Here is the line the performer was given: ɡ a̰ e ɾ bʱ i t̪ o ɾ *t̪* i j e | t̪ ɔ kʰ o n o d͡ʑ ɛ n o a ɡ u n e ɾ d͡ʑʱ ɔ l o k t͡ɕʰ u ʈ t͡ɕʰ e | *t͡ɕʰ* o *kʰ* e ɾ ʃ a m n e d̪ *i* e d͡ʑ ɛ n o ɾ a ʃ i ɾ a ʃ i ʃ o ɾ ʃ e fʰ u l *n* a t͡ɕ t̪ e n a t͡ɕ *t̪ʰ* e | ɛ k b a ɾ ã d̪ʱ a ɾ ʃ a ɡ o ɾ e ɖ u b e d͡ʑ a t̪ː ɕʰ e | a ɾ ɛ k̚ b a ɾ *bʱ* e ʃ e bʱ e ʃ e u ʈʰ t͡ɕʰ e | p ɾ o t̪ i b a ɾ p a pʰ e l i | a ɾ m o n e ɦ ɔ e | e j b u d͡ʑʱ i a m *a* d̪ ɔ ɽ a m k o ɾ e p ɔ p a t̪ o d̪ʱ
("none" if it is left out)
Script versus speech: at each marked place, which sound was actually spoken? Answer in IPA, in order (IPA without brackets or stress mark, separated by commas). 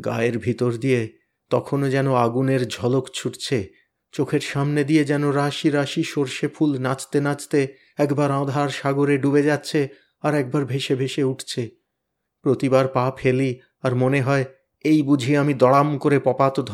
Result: d̪, t͡ɕ, kʰ, i, n, t̪, bʱ, i